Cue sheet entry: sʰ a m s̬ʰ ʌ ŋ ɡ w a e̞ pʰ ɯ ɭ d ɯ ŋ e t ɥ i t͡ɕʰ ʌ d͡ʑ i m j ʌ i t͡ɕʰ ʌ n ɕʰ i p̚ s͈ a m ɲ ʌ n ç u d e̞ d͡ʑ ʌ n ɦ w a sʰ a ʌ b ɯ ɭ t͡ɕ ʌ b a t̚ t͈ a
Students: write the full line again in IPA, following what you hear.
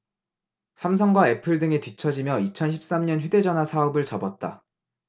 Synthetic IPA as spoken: sʰ a m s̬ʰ ʌ ŋ ɡ w a e̞ pʰ ɯ ɭ d ɯ ŋ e t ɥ i t͡ɕʰ ʌ d͡ʑ i m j ʌ i t͡ɕʰ ʌ n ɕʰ i p̚ s͈ a m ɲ ʌ n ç u d e̞ d͡ʑ ʌ n ɦ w a sʰ a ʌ b ɯ ɭ t͡ɕ ʌ b ʌ t̚ t͈ a